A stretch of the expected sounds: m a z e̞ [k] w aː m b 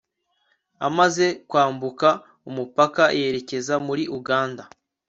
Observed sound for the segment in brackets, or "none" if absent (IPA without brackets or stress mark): k